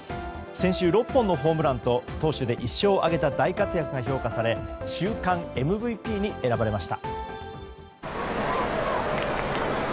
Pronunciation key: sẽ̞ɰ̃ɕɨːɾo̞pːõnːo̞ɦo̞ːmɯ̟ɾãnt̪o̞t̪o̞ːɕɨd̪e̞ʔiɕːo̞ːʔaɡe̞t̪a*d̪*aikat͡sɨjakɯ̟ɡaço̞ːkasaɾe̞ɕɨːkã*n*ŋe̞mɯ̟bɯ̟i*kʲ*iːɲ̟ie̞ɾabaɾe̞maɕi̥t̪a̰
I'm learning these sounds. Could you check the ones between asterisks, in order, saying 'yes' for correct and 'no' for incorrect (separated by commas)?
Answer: yes, no, no